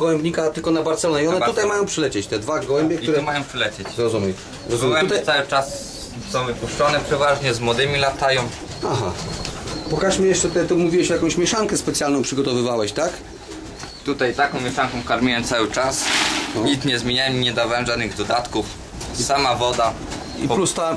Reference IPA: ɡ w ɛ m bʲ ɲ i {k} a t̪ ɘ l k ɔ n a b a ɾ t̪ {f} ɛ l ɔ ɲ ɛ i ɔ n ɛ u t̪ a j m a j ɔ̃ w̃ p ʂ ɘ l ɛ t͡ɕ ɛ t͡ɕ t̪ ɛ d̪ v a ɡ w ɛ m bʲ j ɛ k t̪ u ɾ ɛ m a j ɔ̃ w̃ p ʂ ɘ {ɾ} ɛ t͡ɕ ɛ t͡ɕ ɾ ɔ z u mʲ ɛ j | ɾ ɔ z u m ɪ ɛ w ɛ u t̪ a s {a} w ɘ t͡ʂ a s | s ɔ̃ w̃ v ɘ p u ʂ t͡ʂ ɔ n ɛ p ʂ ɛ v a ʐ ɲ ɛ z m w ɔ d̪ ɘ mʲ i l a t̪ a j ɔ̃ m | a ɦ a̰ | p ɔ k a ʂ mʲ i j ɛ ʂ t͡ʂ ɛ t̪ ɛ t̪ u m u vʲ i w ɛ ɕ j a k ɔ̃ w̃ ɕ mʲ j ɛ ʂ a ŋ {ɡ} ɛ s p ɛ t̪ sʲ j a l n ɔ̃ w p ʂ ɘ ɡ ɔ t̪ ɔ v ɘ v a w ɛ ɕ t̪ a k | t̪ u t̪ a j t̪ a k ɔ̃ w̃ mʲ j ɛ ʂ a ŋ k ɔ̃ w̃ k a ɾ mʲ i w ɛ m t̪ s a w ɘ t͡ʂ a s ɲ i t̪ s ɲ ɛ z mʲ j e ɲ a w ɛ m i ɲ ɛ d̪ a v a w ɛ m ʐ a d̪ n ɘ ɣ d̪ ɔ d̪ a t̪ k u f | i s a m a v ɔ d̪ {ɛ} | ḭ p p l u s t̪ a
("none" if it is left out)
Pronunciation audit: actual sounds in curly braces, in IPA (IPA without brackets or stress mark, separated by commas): k, s, l, a, k, a